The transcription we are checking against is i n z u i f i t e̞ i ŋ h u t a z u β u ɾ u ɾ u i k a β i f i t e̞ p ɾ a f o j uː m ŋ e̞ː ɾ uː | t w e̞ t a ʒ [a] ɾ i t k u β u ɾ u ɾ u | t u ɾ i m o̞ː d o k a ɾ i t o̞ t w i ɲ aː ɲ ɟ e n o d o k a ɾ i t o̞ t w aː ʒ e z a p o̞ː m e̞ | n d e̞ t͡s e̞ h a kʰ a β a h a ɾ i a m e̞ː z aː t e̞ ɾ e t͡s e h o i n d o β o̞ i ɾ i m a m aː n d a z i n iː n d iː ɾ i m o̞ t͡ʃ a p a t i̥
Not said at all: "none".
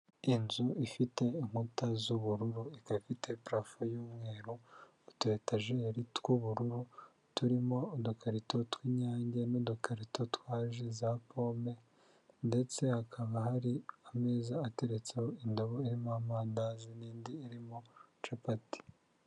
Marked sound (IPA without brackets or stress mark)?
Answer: e